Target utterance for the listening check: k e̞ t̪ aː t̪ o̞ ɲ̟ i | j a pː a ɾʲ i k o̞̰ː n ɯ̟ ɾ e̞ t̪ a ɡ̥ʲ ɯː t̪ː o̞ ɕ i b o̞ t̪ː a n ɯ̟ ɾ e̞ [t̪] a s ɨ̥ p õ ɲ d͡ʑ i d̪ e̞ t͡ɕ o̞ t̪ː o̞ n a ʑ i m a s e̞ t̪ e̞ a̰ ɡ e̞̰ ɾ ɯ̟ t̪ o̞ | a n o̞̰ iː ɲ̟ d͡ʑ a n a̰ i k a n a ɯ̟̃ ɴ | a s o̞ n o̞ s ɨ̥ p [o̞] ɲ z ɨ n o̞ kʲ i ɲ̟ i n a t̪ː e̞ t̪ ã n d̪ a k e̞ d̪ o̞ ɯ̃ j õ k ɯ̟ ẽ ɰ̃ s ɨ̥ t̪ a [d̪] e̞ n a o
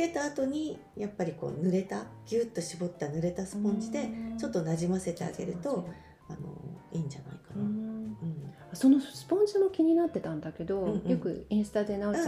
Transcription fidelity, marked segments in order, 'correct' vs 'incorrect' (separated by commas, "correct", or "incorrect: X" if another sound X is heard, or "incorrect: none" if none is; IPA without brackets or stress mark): correct, incorrect: õ̞, correct